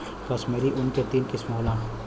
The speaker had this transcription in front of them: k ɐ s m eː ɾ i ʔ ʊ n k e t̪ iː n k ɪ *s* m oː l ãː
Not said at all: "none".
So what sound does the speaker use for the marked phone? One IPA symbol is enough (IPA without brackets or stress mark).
s